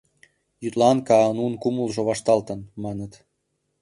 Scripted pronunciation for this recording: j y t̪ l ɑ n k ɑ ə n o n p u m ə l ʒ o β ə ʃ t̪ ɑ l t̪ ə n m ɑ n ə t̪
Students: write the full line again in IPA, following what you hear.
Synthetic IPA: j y t̪ l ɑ n k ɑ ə n u n k u m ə l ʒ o β ɑ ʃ t̪ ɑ l t̪ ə n m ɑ n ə t̪